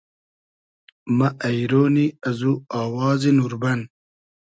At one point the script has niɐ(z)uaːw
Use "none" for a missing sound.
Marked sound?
z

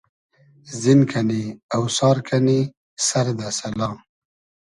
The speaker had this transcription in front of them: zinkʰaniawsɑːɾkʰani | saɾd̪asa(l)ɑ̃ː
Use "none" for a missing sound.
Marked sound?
l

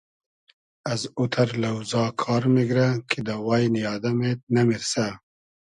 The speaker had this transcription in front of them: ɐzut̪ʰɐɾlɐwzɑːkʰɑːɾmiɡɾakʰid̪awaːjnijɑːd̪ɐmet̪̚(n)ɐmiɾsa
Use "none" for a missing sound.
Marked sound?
n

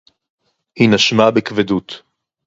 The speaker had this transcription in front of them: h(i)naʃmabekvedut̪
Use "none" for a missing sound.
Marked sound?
i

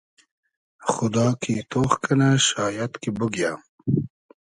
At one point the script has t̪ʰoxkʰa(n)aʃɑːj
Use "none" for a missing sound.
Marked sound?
n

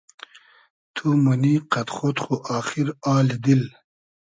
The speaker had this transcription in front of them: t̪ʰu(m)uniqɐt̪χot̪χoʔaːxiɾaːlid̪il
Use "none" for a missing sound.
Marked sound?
m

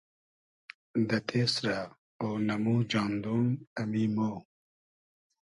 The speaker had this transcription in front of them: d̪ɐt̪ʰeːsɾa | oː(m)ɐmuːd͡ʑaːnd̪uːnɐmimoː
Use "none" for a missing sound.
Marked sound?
n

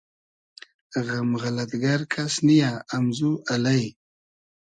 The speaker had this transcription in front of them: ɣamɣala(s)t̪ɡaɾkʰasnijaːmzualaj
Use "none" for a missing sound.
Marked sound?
none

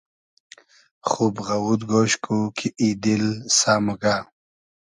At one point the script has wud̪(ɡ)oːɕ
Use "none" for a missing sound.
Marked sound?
ɡ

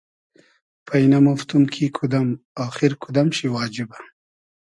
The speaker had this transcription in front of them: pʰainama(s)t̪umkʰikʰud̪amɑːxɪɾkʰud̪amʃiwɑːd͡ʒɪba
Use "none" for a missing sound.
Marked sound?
f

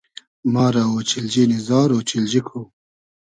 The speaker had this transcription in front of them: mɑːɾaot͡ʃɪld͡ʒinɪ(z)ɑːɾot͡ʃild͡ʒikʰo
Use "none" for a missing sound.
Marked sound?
z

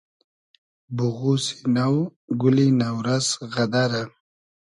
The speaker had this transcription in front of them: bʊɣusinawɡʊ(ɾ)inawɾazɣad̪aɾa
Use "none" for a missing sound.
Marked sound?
l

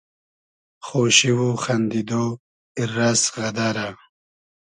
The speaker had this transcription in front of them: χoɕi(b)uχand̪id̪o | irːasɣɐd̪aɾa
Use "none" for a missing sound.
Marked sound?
w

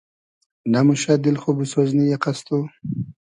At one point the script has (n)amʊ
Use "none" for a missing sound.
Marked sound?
n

